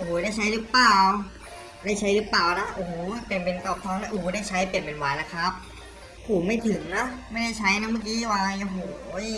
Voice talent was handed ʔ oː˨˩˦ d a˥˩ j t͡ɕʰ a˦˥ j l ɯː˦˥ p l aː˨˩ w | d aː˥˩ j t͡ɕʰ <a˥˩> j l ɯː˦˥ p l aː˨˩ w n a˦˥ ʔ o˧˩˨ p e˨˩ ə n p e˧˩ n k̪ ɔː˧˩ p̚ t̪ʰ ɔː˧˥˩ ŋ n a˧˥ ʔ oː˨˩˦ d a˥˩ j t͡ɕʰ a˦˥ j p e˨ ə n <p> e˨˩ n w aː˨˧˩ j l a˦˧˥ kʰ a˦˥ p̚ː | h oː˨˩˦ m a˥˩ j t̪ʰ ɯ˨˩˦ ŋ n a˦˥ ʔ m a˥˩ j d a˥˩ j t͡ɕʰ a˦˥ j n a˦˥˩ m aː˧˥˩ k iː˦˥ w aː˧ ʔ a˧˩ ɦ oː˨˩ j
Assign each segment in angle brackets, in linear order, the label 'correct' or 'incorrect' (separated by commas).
incorrect, correct